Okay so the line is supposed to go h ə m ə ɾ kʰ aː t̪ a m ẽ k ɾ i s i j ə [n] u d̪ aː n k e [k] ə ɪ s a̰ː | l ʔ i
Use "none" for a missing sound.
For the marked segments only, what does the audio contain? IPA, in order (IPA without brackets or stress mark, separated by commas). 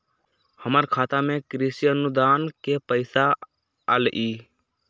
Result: n, p